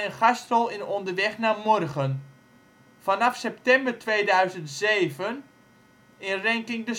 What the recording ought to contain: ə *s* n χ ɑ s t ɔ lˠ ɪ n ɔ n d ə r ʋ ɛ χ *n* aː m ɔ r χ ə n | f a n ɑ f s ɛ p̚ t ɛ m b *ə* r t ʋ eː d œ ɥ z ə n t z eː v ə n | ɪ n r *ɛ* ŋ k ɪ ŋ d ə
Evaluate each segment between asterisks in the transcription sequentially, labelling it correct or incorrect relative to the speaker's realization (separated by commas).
incorrect, correct, correct, correct